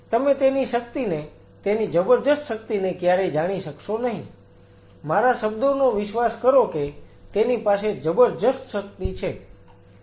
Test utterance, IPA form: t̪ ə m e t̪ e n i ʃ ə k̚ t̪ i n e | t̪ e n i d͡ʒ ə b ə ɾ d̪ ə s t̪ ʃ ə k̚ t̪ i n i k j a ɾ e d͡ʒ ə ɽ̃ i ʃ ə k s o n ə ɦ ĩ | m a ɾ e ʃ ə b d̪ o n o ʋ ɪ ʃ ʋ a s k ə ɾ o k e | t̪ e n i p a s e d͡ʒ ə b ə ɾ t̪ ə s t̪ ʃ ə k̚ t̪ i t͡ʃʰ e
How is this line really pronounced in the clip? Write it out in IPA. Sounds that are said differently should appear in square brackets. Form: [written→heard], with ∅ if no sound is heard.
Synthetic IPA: t̪ ə m e t̪ e n i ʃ ə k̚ t̪ i n e | t̪ e n i d͡ʒ ə b ə ɾ d̪ ə s t̪ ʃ ə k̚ t̪ i n [i→e] k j a ɾ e d͡ʒ [ə→a] ɽ̃ i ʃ ə k [s→ʃ] o n ə ɦ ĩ | m a ɾ [e→a] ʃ ə b d̪ o n o ʋ ɪ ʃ ʋ a s k ə ɾ o k e | t̪ e n i p a s e d͡ʒ ə b ə ɾ [t̪→d̪] ə s t̪ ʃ ə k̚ t̪ i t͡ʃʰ e